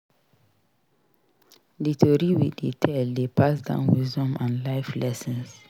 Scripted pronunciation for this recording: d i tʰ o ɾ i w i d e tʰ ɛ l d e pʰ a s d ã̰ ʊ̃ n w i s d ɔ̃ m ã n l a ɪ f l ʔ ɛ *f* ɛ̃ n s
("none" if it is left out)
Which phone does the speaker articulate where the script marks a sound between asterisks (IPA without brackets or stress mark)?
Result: s